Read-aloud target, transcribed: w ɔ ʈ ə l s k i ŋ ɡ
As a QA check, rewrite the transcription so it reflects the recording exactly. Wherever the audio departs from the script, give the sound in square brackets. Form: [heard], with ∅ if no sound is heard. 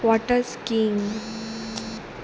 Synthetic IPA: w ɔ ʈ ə [ɾ] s k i ŋ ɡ